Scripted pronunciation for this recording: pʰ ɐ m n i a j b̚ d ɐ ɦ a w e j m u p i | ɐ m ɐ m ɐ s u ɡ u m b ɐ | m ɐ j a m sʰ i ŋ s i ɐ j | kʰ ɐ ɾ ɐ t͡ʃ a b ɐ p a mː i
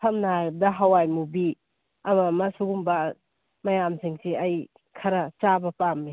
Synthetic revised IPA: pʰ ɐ m n a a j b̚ d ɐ ɦ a w a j m u b i | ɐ m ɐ m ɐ s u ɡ u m b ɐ | m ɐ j a m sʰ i ŋ s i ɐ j | kʰ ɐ ɾ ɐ t͡ʃ a b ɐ p a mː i